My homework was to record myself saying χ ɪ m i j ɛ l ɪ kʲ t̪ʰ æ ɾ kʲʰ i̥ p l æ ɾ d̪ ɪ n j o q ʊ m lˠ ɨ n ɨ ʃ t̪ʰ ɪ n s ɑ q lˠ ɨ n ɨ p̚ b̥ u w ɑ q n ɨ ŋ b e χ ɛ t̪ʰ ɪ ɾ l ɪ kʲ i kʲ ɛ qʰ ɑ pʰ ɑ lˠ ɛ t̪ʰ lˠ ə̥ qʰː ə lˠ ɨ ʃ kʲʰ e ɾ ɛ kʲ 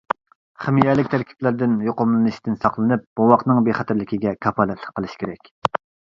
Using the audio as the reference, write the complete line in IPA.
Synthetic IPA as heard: χ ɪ m i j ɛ l ɪ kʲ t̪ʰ æ ɾ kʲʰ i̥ p l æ ɾ d̪ ɪ n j o q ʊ m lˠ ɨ n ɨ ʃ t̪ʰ ɪ n s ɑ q lˠ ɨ n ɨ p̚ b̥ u w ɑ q n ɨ ŋ b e χ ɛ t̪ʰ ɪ ɾ l ɪ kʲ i ɡʲ ɛ kʰ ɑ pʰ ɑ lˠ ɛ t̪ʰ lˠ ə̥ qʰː ə lˠ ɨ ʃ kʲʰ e ɾ ɛ kʲ